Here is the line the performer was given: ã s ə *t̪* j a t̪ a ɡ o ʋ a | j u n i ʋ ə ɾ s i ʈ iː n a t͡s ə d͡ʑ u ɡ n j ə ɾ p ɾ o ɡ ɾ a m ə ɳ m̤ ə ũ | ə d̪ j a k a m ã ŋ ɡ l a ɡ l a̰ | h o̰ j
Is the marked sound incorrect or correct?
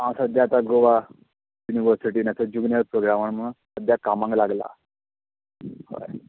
incorrect